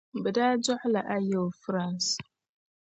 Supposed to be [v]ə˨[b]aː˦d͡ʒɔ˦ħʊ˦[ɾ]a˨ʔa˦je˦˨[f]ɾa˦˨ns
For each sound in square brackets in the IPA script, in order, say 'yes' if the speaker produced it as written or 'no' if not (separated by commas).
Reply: no, no, no, yes